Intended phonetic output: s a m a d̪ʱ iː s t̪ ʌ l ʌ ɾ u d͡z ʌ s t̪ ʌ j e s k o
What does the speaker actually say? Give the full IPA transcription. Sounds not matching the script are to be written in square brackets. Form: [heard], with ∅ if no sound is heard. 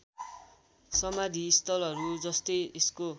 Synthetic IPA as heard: s [ʌ] m a d̪ʱ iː s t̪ ʌ l ʌ ɾ u d͡z ʌ s t̪ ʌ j e s k o